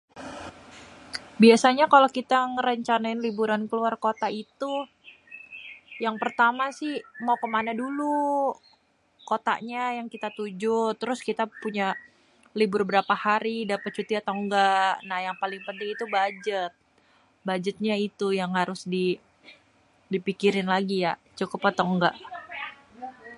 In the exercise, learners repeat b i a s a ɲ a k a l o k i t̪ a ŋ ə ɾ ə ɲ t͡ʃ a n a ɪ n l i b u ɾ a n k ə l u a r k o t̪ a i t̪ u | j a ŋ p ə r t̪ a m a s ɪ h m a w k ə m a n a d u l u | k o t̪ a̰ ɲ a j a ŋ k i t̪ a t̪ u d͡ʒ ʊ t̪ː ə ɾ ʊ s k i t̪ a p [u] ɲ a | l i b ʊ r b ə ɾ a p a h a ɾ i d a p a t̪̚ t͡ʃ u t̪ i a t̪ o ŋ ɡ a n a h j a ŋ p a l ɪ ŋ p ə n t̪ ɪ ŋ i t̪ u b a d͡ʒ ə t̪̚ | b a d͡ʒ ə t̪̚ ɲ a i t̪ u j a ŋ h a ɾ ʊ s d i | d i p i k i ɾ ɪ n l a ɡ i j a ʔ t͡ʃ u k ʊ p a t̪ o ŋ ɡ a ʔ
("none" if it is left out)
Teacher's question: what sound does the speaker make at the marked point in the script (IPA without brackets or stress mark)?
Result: u